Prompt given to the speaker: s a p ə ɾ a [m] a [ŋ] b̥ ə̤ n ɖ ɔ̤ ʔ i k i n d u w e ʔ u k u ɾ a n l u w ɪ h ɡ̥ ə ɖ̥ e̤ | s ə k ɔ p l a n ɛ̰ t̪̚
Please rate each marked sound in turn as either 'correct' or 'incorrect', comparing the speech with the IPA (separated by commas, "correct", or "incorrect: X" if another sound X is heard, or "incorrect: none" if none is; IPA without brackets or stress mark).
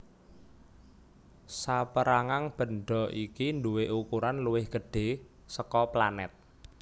incorrect: ŋ, correct